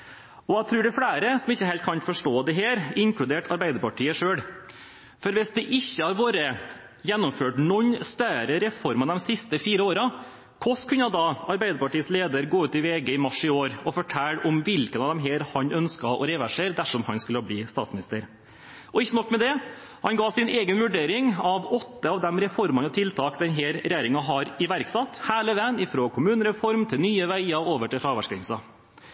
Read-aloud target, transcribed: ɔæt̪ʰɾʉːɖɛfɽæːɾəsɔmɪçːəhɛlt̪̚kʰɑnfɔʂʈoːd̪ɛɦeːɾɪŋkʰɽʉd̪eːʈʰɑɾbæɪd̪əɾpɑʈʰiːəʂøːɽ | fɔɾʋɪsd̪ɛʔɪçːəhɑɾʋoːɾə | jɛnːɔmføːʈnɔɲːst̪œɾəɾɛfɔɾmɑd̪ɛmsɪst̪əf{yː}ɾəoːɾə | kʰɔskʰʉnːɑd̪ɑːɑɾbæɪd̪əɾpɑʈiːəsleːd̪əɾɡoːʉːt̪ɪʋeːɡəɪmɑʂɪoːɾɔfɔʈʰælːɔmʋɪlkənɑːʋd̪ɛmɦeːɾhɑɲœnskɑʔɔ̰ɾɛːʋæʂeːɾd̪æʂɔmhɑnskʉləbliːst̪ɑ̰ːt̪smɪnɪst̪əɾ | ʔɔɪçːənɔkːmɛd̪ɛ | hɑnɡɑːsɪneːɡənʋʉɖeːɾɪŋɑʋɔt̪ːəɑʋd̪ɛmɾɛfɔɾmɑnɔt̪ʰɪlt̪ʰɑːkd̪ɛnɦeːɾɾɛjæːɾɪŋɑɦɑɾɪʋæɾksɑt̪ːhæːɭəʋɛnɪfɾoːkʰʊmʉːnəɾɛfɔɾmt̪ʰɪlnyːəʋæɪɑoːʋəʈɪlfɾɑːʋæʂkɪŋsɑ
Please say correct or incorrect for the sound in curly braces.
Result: incorrect: iː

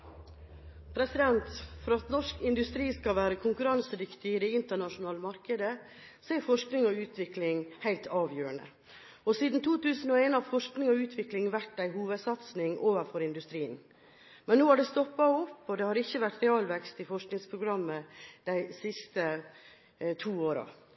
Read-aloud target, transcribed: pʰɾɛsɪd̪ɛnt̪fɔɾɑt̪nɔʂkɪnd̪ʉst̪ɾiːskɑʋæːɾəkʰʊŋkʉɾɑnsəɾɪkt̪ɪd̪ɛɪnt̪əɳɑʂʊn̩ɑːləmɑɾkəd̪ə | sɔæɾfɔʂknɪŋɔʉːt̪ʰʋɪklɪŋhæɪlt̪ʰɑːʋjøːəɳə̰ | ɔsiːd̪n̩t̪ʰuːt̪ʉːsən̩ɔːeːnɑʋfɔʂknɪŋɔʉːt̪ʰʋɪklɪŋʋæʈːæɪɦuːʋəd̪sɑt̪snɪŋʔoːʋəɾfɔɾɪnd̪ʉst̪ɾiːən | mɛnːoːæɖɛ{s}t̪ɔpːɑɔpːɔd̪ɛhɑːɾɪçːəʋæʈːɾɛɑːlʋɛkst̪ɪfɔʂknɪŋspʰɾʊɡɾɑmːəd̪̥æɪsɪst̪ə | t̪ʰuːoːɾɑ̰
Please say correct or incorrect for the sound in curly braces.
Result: correct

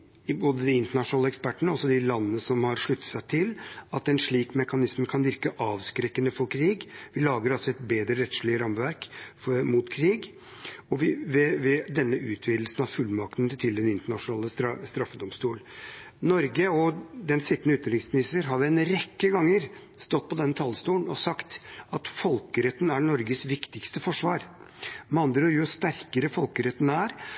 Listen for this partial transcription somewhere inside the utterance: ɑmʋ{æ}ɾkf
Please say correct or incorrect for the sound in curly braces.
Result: correct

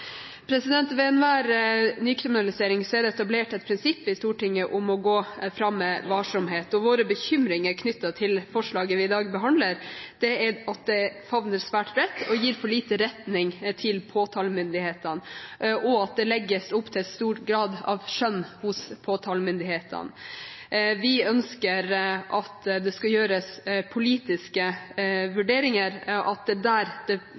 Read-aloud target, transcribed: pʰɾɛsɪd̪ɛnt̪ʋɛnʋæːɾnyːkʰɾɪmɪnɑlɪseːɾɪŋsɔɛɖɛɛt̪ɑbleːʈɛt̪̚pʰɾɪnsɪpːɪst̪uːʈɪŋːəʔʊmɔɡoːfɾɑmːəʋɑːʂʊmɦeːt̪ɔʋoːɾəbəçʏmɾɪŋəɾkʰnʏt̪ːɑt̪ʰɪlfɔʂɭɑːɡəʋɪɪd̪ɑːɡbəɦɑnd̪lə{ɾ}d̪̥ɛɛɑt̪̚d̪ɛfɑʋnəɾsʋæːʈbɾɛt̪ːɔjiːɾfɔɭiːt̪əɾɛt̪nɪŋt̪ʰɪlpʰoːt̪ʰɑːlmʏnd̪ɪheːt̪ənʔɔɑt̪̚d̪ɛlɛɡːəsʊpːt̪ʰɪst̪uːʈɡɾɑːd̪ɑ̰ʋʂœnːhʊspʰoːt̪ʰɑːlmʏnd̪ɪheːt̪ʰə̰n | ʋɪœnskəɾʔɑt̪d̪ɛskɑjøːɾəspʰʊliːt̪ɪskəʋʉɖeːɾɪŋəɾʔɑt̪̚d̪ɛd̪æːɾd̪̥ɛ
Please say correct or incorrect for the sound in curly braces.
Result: correct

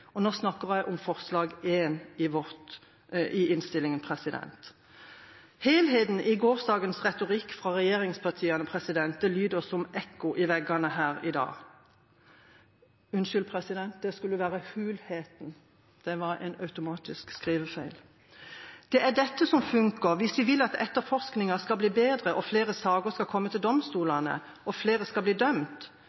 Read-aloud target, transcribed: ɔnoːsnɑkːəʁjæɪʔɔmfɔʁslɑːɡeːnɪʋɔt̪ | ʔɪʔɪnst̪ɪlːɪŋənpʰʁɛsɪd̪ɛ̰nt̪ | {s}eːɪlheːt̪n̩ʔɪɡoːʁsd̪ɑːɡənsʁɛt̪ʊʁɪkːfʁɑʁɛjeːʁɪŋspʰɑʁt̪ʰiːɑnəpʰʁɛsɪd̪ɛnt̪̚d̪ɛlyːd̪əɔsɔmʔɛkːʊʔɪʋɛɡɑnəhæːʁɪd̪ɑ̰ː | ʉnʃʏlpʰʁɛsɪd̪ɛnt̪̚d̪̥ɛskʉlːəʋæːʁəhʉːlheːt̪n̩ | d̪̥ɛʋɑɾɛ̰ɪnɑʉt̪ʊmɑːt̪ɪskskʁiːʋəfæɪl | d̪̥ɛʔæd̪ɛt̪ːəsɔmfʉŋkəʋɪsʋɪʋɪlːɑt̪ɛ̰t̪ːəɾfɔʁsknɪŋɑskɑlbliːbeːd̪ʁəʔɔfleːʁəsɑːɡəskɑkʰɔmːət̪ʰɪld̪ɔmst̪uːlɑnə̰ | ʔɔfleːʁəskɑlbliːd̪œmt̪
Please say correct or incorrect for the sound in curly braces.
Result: incorrect: h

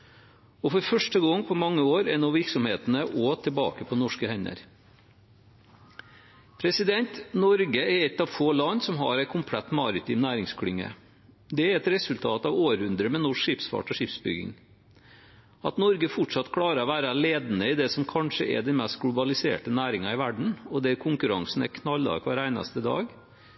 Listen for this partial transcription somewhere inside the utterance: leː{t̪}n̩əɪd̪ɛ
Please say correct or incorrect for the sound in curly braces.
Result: incorrect: d̪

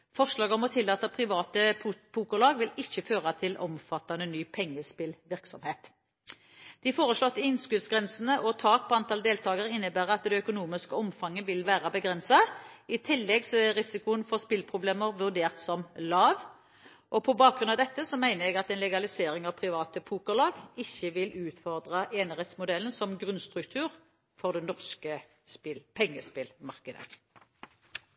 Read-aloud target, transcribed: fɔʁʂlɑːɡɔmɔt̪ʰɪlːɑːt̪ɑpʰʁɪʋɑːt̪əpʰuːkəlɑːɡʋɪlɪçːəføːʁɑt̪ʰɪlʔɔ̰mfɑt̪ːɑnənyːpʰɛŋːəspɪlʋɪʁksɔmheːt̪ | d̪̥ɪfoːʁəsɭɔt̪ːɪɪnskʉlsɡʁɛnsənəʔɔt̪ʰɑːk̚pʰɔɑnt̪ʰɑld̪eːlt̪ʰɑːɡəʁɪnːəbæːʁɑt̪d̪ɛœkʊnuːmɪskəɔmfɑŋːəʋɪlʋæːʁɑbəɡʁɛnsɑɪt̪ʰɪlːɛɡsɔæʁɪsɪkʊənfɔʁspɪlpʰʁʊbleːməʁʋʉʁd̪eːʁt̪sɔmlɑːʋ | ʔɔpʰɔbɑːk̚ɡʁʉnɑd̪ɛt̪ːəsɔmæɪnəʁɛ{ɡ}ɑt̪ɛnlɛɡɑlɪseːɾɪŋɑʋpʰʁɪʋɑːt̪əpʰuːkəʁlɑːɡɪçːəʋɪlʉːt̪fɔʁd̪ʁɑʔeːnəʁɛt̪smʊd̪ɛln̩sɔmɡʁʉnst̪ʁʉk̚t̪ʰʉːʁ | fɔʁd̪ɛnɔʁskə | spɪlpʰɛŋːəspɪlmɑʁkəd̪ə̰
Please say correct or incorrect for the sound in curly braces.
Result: correct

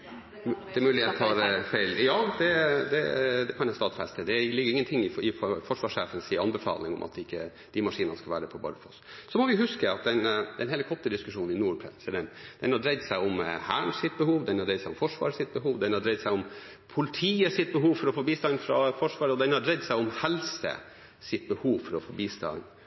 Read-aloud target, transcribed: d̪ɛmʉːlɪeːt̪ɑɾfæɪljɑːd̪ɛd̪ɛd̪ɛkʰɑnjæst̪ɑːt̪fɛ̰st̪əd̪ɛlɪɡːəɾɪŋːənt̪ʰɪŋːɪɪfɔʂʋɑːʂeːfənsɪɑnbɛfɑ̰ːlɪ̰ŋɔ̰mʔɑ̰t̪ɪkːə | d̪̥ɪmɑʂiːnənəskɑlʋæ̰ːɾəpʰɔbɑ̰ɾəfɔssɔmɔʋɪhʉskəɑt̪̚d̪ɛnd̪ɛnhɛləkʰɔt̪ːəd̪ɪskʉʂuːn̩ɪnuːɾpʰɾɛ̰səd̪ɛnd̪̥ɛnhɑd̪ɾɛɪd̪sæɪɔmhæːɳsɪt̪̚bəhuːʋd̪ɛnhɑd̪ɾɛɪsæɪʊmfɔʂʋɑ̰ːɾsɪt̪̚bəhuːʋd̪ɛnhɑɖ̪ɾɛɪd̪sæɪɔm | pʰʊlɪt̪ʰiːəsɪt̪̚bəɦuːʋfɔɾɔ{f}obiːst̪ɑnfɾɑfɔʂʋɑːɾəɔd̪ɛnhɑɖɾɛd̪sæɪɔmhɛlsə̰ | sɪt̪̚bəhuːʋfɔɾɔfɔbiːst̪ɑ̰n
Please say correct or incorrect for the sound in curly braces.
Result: correct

